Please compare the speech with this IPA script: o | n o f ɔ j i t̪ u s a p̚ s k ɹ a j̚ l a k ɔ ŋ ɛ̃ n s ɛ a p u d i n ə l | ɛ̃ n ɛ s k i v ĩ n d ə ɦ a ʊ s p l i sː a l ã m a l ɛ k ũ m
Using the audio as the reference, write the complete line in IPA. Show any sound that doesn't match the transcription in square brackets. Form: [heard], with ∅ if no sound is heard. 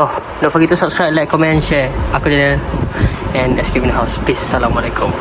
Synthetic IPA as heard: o | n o f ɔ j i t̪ u s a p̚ s k ɹ a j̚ l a k ɔ [m] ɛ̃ n [ʃ] ɛ a [k] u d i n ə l | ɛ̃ n ɛ s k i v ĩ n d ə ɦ a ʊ s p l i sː a l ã m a l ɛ k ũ m

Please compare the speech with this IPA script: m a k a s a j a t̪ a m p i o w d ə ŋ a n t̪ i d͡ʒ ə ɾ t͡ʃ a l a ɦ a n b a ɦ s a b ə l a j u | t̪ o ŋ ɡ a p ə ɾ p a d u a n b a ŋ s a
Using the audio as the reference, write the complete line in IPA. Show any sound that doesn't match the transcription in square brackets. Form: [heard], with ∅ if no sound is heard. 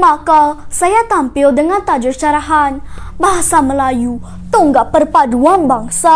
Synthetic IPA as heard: m a k a s a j a t̪ a m p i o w d ə ŋ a n t̪ [a] d͡ʒ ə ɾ t͡ʃ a [ɾ] a ɦ a n b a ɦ s a [m] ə l a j u | t̪ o ŋ ɡ a p ə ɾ p a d u a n b a ŋ s a

